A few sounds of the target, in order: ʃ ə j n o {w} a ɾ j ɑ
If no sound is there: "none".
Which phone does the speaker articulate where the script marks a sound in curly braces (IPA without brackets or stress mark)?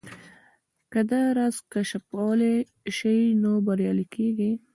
b